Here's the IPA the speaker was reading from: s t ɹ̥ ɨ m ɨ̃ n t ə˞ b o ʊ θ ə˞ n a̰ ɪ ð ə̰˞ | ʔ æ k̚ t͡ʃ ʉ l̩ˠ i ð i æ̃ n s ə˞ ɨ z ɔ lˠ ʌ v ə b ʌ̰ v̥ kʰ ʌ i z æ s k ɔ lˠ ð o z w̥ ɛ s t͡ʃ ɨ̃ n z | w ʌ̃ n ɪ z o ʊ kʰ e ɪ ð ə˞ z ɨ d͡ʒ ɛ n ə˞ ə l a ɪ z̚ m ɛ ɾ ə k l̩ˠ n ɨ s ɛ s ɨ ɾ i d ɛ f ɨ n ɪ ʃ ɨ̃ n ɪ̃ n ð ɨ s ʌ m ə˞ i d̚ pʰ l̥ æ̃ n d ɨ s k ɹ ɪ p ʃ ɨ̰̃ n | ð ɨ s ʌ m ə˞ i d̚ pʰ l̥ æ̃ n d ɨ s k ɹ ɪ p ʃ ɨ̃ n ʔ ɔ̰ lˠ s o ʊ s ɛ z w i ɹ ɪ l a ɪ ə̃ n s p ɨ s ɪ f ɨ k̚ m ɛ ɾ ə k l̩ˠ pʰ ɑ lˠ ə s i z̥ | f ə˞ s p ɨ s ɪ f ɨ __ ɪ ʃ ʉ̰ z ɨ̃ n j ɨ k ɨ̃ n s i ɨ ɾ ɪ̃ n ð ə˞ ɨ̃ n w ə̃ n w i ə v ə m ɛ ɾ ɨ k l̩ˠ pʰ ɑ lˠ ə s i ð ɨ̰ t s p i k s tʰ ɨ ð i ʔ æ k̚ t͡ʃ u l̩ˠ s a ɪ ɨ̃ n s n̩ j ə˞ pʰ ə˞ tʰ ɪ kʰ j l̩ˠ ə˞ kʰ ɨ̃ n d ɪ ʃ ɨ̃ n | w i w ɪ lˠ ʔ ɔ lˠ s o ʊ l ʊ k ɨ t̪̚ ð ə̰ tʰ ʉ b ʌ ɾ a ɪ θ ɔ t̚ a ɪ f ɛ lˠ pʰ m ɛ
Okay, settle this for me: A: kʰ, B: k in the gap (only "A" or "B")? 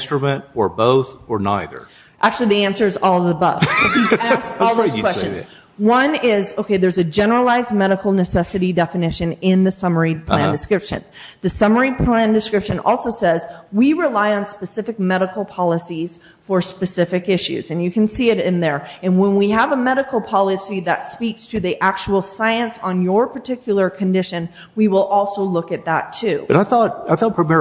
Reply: B